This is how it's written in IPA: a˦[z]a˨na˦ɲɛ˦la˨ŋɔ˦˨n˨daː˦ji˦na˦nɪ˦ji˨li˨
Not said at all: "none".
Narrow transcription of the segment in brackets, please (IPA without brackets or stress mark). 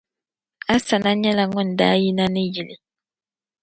s